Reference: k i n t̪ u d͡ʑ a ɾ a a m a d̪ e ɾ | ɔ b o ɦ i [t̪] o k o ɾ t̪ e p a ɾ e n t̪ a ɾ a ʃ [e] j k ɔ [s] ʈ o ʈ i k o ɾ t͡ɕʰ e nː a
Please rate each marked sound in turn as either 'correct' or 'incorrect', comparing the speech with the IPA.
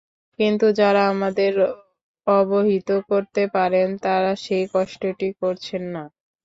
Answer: correct, correct, incorrect: ʃ

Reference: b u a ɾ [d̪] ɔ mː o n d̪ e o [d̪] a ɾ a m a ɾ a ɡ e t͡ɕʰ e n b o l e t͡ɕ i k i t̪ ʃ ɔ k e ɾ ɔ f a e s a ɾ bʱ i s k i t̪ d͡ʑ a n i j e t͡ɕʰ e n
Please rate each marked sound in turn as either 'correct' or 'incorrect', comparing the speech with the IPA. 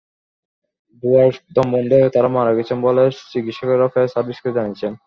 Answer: correct, incorrect: t̪

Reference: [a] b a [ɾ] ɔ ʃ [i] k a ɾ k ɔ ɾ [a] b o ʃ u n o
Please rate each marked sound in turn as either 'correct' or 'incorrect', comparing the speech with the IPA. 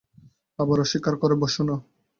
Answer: correct, correct, correct, incorrect: e

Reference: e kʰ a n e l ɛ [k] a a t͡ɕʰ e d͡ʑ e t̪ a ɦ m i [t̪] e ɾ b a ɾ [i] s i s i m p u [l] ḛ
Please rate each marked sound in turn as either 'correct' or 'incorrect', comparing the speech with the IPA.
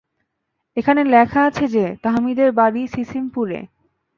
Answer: incorrect: kʰ, incorrect: d̪, correct, incorrect: ɾ

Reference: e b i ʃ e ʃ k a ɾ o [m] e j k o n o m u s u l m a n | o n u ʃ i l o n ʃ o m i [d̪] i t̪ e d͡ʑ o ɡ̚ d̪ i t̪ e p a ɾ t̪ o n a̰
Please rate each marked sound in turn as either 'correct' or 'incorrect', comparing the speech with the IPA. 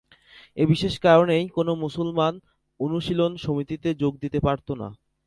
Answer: incorrect: n, incorrect: t̪

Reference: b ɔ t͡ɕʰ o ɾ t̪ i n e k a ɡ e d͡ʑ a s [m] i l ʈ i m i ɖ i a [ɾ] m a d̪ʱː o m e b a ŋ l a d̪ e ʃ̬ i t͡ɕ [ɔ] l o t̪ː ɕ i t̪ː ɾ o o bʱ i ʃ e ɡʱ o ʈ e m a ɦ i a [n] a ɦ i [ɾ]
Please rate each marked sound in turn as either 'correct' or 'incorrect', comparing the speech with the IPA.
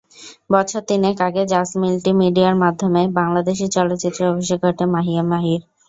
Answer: correct, correct, correct, incorrect: m, correct

